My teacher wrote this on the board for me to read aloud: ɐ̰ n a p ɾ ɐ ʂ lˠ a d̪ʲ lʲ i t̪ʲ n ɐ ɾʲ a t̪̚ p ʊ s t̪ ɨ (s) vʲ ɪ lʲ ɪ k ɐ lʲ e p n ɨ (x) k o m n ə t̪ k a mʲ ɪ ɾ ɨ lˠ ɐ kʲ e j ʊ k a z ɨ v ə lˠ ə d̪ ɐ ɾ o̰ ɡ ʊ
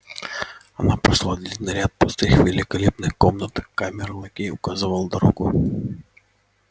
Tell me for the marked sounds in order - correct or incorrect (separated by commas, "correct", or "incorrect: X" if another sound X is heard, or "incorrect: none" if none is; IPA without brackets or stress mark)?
incorrect: x, correct